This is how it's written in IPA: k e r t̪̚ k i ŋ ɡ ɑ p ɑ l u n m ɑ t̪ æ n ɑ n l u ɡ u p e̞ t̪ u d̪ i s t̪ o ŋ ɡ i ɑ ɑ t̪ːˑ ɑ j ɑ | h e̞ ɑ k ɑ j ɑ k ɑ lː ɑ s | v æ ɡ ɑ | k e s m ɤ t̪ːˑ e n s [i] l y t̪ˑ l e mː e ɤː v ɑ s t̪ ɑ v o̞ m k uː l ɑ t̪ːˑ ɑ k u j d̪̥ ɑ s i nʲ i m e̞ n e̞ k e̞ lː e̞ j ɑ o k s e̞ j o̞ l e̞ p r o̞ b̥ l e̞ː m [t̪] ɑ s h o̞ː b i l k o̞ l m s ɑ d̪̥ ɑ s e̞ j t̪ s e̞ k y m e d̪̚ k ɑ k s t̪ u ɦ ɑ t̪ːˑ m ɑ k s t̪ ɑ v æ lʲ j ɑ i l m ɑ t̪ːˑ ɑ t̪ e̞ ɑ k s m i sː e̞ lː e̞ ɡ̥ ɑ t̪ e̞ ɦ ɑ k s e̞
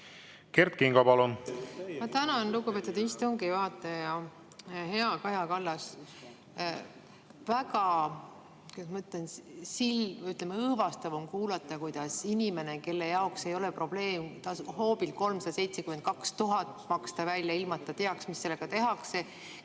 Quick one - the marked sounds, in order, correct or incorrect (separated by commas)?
correct, correct